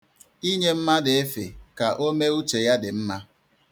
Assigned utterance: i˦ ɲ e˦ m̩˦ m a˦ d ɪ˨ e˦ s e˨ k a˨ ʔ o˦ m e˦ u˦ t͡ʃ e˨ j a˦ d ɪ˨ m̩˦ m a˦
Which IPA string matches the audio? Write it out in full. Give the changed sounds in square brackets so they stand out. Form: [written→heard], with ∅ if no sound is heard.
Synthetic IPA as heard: i˦ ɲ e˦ m̩˦ m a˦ d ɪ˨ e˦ [s→f] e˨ k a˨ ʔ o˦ m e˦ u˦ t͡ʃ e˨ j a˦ d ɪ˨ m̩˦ m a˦